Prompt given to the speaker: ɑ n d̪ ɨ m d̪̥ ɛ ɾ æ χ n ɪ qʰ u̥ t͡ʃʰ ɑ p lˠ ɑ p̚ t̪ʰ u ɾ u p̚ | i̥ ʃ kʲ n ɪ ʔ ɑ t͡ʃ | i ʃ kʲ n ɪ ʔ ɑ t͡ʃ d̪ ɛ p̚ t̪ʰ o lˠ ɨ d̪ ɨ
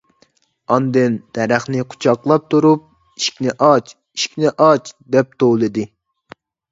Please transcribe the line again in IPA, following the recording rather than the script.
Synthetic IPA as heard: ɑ n d̪ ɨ n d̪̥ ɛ ɾ æ χ n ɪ qʰ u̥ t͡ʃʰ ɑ q lˠ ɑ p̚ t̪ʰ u ɾ u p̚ | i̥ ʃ kʲ n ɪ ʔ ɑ t͡ʃ | i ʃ kʲ n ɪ ʔ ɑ t͡ʃ d̪ ɛ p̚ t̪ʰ o lˠ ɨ d̪ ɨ

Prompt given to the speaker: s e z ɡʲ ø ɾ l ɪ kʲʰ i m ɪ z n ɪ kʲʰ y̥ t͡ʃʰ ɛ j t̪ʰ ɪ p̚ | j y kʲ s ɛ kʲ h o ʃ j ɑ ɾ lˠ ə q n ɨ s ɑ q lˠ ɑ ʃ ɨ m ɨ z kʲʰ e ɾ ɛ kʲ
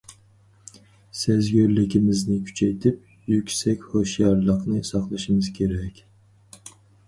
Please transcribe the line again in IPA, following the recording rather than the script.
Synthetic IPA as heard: s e z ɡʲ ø ɾ l ɪ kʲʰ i m ɪ z n ɪ kʲʰ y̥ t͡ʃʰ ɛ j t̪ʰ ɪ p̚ | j y kʲ s ɛ kʲ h o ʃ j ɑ ɾ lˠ ə q n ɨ s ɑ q lˠ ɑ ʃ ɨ m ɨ z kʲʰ e ɾ ɛ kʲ

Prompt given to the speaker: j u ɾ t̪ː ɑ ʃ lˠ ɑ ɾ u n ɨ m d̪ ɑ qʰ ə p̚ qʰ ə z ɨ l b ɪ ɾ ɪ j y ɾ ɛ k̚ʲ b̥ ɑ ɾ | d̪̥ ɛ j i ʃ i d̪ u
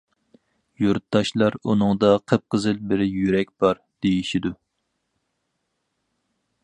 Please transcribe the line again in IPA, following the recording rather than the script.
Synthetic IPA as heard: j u ɾ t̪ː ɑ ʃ lˠ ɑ ɾ u n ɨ ŋ d̪ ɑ qʰ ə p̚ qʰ ə z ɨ l b ɪ ɾ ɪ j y ɾ ɛ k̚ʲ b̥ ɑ ɾ | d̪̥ e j i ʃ i d̪ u

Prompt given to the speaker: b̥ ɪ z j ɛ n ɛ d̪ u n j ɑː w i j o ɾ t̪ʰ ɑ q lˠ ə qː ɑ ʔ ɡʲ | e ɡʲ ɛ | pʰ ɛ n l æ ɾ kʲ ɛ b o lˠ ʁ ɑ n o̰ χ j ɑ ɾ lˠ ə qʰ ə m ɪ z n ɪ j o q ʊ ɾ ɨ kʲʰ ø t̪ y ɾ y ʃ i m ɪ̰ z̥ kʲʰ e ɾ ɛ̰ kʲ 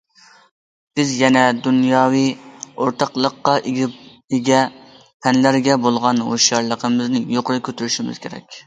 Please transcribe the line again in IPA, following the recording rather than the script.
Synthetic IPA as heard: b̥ ɪ z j ɛ n ɛ d̪ u n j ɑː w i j o ɾ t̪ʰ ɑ q lˠ ə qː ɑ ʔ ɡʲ | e ɡʲ ɛ | pʰ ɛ n l æ ɾ ɡʲ ɛ b o lˠ ʁ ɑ n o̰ ʃ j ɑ ɾ lˠ ə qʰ ə m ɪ z n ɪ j o q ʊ ɾ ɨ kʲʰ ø t̪ y ɾ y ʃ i m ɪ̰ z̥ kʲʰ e ɾ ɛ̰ kʲ

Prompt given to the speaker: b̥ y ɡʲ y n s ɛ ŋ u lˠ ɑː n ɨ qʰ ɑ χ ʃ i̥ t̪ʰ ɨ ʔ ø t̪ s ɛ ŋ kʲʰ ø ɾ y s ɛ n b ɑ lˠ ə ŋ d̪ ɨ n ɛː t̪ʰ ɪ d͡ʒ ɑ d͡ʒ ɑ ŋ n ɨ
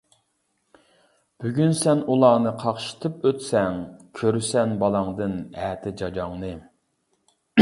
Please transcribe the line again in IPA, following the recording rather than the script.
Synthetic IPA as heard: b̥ y ɡʲ y n s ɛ n u lˠ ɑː n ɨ qʰ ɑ χ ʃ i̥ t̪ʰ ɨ p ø t̪ s ɛ ŋ kʲʰ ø ɾ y s ɛ n b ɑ lˠ ɑ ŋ d̪ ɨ n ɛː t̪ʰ ɪ d͡ʒ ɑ d͡ʒ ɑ ŋ n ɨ

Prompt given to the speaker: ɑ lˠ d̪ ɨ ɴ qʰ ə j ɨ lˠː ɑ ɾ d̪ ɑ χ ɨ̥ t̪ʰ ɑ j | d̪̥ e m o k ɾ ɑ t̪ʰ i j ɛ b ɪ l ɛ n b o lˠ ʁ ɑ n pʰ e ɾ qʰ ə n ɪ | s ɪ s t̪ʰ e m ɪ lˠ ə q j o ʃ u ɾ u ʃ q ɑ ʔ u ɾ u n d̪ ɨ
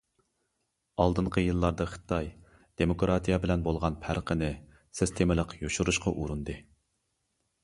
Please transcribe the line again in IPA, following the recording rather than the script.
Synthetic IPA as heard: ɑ lˠ d̪ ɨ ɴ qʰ ə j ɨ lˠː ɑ ɾ d̪ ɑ χ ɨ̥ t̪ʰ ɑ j | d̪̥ e m o k ɾ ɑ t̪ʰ i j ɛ b ɪ l ɛ n b o lˠ ʁ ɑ n pʰ æ ɾ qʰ ə n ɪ | s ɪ s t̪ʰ e m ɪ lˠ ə q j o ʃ u ɾ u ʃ q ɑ ʔ u ɾ u n d̪ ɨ

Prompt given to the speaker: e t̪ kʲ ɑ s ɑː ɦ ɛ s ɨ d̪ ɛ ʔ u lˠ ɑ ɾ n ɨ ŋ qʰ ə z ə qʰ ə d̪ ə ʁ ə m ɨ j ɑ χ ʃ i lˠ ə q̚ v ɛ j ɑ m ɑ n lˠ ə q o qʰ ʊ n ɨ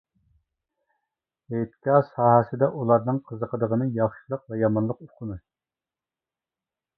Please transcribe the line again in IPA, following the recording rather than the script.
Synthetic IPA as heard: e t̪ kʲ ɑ s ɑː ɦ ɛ s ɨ d̪ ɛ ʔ u lˠ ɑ ɾ n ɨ ŋ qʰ ə z ə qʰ ə d̪ ə ʁ ə n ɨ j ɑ χ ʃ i lˠ ə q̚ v ɛ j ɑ m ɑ n lˠ ə q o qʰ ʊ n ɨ

